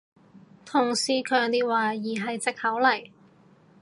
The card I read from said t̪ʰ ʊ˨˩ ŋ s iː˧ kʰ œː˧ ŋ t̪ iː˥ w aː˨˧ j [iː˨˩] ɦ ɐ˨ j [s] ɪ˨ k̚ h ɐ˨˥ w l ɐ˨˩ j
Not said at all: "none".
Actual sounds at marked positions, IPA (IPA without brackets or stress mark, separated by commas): iː˨˩, t͡s